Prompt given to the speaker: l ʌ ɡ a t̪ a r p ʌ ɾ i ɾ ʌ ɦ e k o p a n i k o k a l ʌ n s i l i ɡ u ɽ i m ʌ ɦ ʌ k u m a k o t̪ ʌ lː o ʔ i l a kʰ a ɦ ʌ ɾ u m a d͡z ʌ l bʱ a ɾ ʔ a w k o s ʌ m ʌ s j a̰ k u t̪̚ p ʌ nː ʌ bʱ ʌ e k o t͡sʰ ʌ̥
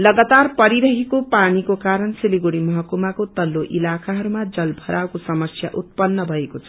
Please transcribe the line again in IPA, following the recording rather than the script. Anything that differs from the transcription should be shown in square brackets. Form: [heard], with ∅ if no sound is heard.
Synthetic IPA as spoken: l ʌ ɡ a t̪ a r p ʌ ɾ i ɾ ʌ ɦ e k o p a n i k o k a [ɾ] ʌ n s i l i ɡ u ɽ i m ʌ ɦ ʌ k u m a k o t̪ ʌ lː o ʔ i l a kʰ a ɦ ʌ ɾ u m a d͡z ʌ l bʱ [ʌ] ɾ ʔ a w k o s ʌ m ʌ s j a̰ [ʔ] u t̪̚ p ʌ nː ʌ bʱ ʌ e k o t͡sʰ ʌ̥